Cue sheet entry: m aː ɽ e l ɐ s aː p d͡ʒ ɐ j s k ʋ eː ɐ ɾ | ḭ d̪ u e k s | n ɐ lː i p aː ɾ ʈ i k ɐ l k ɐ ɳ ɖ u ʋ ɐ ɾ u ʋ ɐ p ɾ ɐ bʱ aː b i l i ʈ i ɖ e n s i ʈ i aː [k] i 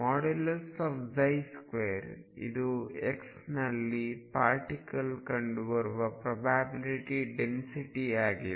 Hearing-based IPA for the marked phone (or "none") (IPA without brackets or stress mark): ɡ